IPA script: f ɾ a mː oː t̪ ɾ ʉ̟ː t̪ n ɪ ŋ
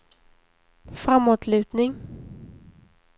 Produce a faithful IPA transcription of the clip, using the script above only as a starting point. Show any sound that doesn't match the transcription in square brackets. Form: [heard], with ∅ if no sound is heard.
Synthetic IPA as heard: f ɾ a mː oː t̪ [l] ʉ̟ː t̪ n ɪ ŋ